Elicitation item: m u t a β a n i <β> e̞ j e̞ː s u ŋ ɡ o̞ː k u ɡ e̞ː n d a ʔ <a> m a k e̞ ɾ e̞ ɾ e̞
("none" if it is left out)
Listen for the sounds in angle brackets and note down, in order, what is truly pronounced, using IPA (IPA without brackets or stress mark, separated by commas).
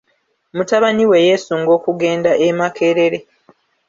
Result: w, e